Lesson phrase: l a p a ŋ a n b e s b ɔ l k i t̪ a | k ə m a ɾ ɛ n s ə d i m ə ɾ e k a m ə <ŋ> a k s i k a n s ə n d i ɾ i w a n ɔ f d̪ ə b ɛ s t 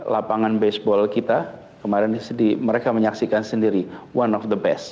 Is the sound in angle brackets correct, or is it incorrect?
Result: incorrect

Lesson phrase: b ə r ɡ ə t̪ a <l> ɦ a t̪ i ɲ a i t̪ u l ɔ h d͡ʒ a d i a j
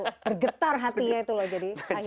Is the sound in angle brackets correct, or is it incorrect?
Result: incorrect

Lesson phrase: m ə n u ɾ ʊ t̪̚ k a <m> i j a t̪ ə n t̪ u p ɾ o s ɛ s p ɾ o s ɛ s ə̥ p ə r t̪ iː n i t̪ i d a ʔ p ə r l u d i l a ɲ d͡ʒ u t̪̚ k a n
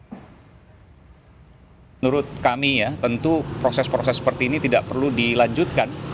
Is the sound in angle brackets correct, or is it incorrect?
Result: correct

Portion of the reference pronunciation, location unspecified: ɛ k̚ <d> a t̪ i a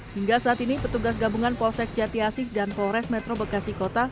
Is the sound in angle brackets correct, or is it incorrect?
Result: incorrect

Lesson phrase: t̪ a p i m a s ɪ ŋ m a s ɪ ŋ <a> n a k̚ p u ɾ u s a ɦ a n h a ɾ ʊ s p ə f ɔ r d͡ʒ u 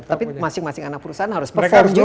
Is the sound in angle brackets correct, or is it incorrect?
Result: correct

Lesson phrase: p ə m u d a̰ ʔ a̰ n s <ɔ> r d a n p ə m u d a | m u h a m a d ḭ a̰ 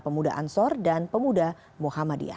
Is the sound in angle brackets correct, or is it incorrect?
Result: correct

